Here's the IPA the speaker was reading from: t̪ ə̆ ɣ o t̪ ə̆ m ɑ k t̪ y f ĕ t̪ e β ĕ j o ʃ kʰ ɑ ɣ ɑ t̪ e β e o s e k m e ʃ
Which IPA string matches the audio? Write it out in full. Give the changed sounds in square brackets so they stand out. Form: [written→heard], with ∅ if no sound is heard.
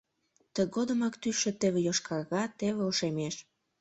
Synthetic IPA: t̪ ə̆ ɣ o [t̪→d̪] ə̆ m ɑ k t̪ y [f→ʃ] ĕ t̪ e β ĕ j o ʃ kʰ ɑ ɣ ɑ t̪ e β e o [s→ʃ] e [k→∅] m e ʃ